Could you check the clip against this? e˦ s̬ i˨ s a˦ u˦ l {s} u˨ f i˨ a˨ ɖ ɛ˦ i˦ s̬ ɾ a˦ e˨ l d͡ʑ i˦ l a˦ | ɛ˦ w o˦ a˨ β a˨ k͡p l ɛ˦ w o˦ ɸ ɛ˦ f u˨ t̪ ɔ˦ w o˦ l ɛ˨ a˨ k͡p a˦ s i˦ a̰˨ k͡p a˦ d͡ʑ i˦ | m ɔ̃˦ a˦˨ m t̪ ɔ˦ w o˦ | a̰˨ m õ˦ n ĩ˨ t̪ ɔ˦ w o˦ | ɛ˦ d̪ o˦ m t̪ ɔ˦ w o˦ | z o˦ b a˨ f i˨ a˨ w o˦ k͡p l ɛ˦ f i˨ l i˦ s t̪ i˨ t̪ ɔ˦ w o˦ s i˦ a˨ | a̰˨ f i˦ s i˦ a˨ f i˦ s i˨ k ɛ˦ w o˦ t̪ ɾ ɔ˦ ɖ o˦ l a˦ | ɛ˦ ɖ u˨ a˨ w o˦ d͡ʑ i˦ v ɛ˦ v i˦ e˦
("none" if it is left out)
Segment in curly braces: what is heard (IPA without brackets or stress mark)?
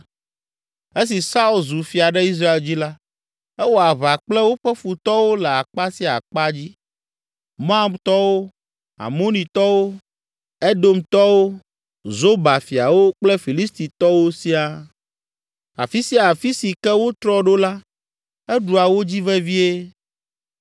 z